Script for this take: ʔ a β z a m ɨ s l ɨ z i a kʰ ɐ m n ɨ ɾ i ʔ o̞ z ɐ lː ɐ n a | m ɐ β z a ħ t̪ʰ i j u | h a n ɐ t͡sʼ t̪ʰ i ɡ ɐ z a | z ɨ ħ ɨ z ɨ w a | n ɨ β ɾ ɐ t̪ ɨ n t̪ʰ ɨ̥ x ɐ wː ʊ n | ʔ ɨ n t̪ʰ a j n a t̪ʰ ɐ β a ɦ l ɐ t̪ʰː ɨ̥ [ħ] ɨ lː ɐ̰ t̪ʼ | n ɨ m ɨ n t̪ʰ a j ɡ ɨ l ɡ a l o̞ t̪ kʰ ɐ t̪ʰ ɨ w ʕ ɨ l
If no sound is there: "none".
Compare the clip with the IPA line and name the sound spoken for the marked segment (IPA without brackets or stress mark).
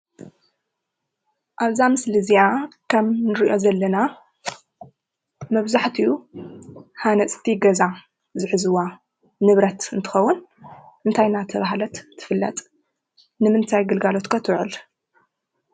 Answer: f